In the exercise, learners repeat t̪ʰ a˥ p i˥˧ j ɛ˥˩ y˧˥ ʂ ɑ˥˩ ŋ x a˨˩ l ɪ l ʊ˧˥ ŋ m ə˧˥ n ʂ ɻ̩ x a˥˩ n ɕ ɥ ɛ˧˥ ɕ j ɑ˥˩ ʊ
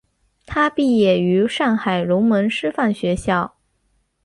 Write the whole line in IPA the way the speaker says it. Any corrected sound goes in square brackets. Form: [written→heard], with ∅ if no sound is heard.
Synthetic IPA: t̪ʰ a˥ p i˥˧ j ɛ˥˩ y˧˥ ʂ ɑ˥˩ ŋ x a˨˩ [l→∅] ɪ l ʊ˧˥ ŋ m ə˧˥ n ʂ ɻ̩ [x→f] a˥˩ n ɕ ɥ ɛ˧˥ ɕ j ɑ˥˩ ʊ